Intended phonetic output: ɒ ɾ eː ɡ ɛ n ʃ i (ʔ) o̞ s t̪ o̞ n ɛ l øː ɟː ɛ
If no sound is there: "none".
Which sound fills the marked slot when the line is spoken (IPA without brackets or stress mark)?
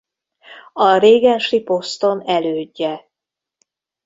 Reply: p